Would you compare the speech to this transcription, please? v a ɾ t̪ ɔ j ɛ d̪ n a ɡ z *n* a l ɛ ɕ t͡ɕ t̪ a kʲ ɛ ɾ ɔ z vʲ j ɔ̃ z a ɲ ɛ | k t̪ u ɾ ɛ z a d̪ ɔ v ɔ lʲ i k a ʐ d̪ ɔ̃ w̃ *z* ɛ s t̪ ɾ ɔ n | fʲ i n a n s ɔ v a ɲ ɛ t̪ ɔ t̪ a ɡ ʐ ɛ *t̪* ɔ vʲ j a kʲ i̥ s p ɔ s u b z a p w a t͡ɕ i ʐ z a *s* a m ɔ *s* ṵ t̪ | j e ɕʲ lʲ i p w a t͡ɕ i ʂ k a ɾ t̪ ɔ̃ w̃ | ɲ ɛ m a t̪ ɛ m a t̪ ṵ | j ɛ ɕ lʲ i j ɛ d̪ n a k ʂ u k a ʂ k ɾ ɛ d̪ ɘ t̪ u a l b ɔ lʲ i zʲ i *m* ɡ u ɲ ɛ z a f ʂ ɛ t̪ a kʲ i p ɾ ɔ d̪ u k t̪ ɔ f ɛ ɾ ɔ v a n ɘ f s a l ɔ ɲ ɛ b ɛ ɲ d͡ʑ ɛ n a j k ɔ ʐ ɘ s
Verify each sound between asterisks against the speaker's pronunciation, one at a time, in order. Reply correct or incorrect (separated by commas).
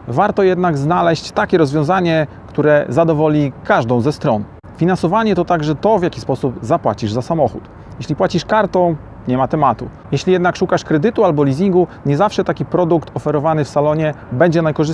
correct, correct, correct, correct, incorrect, incorrect